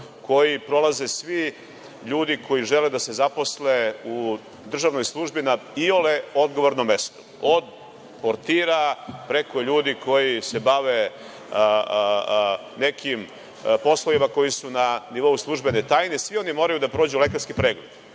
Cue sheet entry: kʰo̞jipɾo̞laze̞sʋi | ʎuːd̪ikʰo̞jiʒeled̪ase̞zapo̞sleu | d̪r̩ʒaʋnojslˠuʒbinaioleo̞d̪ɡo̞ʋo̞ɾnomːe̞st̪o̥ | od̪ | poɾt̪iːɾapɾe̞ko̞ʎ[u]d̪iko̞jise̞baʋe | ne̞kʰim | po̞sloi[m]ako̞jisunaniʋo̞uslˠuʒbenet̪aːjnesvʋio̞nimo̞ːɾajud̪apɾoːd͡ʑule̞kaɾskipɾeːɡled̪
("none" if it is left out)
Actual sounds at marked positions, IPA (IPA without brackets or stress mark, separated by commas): uː, m